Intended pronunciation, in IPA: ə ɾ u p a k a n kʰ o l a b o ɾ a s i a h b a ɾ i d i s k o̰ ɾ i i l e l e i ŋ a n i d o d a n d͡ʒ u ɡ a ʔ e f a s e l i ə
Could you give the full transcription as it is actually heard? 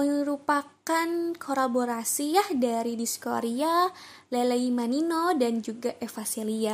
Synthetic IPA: ə ɾ u p a k a n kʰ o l a b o ɾ a s i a h d a ɾ i d i s k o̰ ɾ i a l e l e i m a n i n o d a n d͡ʒ u ɡ a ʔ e f a s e l i a